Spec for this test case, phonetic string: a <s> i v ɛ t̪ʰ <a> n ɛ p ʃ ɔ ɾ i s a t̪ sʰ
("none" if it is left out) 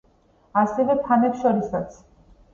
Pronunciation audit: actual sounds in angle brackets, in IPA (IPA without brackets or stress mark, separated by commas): s, a